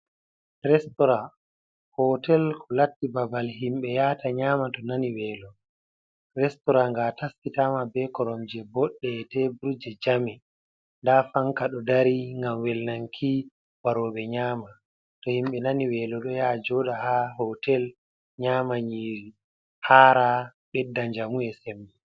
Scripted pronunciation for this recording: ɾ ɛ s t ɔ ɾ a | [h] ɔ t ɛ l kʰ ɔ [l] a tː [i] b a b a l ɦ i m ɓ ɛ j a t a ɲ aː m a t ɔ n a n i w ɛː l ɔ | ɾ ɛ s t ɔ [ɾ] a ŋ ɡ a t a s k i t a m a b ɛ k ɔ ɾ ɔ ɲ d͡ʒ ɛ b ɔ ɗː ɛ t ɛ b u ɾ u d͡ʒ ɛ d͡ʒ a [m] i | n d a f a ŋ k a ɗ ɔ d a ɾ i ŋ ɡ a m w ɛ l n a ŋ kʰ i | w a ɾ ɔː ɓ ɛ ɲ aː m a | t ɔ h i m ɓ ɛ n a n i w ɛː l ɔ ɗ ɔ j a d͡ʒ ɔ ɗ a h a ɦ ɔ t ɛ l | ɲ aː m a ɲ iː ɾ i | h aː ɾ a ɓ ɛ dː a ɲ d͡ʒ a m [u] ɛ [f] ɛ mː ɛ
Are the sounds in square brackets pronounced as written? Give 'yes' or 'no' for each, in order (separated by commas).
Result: yes, yes, yes, yes, yes, yes, no